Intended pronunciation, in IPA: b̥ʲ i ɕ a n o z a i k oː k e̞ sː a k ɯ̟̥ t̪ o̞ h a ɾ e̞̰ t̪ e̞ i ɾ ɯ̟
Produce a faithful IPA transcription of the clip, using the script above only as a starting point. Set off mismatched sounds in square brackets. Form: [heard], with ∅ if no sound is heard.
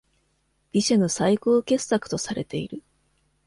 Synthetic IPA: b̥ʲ i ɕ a n o [s] a i k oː k e̞ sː a k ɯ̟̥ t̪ o̞ [s] a ɾ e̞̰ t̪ e̞ i ɾ ɯ̟